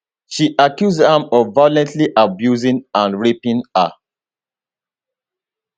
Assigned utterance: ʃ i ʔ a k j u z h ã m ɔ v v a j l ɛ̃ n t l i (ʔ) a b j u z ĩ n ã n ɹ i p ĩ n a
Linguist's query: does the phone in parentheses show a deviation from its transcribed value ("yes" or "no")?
no